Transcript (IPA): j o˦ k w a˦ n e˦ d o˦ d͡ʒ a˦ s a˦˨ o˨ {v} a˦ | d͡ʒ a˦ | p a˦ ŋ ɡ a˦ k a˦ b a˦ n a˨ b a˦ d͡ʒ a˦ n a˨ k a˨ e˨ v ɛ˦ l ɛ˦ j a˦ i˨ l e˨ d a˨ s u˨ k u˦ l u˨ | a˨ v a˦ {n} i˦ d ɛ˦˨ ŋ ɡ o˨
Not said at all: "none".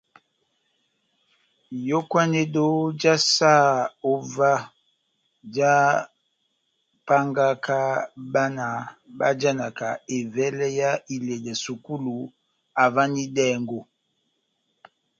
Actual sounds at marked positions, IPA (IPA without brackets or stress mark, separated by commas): v, n